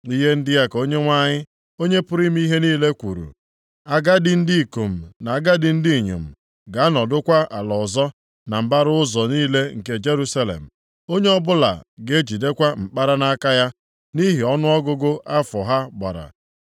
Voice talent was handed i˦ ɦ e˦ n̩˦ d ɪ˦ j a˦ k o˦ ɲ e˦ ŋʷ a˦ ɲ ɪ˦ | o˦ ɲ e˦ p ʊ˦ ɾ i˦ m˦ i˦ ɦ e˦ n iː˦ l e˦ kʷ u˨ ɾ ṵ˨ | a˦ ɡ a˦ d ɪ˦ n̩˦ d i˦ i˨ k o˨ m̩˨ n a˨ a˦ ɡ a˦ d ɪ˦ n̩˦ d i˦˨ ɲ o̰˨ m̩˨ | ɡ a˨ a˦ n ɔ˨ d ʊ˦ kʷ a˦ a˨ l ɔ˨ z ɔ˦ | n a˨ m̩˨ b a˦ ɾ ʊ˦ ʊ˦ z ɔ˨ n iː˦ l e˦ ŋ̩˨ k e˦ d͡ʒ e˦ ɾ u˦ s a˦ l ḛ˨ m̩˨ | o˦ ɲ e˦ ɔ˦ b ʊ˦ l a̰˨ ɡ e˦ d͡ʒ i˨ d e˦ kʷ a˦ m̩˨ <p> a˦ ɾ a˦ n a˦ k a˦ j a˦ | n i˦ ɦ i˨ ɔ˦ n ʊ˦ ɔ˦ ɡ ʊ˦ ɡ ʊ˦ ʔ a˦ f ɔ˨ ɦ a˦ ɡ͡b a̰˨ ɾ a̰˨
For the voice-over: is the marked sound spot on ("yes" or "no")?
no